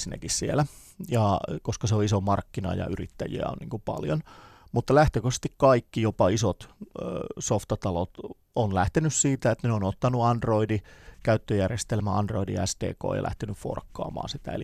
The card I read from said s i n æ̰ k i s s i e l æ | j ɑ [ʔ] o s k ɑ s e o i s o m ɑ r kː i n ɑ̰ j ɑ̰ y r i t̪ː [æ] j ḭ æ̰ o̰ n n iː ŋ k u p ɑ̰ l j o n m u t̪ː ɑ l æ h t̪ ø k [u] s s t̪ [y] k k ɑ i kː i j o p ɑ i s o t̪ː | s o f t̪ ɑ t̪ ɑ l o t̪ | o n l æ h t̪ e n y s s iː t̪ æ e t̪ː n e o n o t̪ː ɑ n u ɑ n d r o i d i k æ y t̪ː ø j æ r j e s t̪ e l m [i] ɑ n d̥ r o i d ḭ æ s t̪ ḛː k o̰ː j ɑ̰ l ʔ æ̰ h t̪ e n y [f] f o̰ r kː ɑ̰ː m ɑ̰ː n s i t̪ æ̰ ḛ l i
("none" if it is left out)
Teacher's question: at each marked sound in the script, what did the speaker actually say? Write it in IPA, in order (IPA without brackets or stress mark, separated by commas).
k, æ, o, i, æ, f